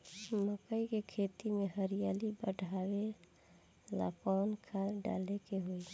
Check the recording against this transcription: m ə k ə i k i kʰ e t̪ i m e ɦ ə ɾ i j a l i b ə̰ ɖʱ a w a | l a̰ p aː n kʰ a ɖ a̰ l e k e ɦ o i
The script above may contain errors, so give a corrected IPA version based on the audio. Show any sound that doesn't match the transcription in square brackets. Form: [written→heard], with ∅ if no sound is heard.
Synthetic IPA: m ə k ə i k [i→e] kʰ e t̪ i m e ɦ ə ɾ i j a l i b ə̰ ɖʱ a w [a→e] | l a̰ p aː n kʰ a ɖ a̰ l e k e ɦ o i